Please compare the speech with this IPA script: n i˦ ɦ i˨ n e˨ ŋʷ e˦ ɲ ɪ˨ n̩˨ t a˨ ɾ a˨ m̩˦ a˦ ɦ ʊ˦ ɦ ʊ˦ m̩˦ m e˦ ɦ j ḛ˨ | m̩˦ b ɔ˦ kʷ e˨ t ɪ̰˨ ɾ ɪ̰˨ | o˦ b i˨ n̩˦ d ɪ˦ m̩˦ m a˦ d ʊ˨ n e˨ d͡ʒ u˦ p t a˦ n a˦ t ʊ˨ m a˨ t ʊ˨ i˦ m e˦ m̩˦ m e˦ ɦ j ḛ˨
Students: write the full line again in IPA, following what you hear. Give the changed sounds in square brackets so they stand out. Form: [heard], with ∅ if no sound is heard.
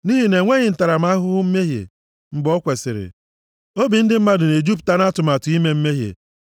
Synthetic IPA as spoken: n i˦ ɦ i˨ n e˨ ŋʷ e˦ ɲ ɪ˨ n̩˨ t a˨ ɾ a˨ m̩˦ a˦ ɦ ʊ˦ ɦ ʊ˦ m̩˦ m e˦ ɦ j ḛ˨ | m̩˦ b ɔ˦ kʷ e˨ [s] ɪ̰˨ ɾ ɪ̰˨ | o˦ b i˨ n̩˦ d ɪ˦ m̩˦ m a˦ d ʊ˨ n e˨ d͡ʒ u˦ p t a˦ n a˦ t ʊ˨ m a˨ t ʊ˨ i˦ m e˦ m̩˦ m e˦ ɦ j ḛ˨